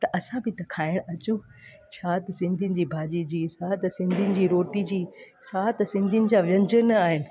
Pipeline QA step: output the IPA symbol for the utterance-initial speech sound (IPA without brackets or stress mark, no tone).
t̪